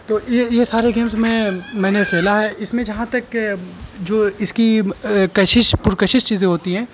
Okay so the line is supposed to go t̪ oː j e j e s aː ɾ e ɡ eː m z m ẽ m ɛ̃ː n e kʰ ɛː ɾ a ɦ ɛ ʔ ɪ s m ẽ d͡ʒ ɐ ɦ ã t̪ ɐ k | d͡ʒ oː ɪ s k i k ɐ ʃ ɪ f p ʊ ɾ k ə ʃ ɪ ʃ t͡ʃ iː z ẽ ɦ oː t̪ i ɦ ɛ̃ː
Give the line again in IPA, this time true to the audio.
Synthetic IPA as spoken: t̪ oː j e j e s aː ɾ e ɡ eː m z m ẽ m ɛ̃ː n e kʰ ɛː l a ɦ ɛ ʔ ɪ s m ẽ d͡ʒ ɐ ɦ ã t̪ ɐ k | d͡ʒ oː ɪ s k i k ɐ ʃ ɪ ʃ p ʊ ɾ k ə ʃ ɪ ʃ t͡ʃ iː z ẽ ɦ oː t̪ i ɦ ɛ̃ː